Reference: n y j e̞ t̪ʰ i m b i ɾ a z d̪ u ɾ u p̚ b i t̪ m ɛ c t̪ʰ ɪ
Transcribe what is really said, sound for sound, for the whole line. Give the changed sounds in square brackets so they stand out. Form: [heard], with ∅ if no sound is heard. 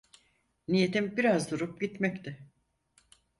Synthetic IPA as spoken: n [i] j e̞ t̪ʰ i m b i ɾ a z d̪ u ɾ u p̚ [ɟ] i t̪ m ɛ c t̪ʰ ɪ